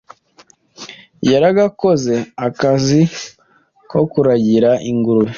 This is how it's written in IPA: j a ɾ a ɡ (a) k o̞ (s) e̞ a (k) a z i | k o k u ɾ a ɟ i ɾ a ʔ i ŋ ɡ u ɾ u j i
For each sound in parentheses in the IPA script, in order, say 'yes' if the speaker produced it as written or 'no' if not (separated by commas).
yes, no, yes